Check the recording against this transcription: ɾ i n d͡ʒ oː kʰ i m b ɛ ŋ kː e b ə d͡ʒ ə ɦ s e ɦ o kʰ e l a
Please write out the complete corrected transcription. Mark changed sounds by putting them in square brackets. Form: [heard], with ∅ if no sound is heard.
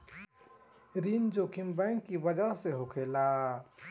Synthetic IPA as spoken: ɾ i n d͡ʒ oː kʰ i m b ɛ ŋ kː [i] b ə d͡ʒ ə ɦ s e ɦ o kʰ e l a